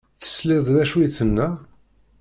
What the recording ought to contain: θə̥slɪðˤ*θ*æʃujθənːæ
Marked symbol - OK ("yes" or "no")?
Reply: no